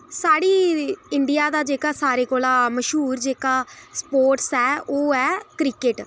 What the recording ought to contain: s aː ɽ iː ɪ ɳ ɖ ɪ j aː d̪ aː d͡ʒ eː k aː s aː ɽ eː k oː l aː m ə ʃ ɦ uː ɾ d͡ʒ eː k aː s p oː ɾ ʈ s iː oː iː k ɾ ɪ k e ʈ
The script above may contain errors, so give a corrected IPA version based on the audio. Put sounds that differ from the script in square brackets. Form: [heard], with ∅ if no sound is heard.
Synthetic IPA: s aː ɽ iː ɪ ɳ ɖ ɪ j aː d̪ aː d͡ʒ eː k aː s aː [ɾ] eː k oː l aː m ə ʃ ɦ uː ɾ d͡ʒ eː k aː s p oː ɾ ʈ s [ɛː] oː [ɛː] k ɾ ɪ k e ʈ